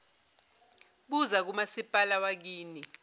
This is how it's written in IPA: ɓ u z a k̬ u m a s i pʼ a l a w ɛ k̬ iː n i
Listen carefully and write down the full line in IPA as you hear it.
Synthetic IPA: ɓ u z a k̬ u m a s i pʼ a l a w a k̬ iː n i